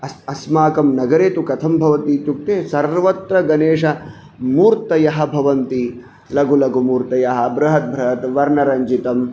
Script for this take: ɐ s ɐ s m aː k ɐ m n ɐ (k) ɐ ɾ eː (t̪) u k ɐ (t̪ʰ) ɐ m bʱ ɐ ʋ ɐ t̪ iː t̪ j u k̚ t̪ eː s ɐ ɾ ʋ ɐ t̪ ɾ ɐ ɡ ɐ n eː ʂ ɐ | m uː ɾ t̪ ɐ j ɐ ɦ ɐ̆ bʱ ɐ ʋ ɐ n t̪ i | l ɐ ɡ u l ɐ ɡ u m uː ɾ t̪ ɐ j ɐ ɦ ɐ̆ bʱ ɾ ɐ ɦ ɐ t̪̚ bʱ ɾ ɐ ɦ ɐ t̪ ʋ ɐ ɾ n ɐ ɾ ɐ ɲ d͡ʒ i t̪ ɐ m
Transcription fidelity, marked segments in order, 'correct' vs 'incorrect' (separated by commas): incorrect, correct, correct